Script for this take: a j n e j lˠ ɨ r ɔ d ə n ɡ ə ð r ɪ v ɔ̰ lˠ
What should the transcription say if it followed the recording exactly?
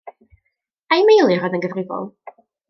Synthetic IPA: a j m e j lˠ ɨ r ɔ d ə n ɡ ə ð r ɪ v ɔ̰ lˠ